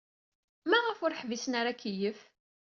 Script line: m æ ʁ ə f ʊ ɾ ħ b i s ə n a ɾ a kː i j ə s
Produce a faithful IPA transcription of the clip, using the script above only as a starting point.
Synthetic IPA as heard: m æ ʁ ə f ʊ ɾ ħ v i s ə n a ɾ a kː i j ə f